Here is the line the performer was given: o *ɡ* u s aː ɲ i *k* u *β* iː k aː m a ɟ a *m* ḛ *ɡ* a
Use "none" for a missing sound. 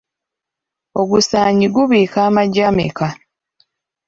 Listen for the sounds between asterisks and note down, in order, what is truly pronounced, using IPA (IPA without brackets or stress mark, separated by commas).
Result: ɡ, ɡ, β, m, k